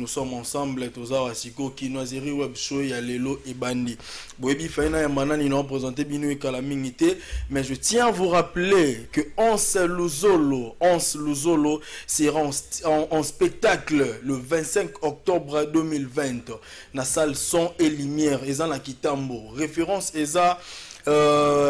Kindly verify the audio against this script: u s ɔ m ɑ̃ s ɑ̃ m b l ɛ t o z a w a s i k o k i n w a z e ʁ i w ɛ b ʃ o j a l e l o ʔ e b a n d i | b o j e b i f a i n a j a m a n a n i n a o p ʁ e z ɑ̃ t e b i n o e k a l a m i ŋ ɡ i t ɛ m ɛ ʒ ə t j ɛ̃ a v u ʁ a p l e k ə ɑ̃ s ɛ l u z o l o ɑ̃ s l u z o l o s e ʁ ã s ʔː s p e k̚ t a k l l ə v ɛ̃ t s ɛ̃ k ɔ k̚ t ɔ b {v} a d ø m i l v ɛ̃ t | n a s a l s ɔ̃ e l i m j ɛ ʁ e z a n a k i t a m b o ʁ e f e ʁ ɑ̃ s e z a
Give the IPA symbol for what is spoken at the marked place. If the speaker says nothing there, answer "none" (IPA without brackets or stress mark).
ʁ